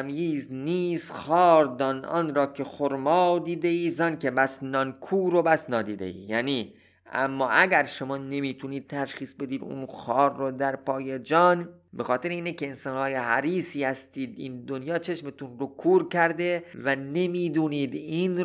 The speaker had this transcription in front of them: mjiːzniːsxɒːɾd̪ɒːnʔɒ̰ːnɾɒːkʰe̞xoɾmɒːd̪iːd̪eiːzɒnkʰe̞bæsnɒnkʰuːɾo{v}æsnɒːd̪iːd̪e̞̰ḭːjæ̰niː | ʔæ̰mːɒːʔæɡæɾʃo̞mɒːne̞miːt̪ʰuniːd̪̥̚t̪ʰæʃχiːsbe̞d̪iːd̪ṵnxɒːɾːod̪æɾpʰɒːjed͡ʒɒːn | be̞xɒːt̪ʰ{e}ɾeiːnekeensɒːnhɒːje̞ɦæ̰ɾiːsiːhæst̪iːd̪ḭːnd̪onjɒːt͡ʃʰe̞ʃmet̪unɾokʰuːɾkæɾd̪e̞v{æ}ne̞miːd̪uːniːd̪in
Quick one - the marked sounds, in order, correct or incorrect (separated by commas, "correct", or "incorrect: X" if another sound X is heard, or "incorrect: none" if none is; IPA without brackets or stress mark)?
incorrect: b, correct, correct